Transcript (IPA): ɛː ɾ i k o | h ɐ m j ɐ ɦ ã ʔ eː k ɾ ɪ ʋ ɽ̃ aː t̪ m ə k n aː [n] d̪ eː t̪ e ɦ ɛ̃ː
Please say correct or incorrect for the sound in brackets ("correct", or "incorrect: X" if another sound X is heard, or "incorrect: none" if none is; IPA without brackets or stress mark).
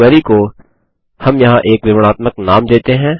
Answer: incorrect: m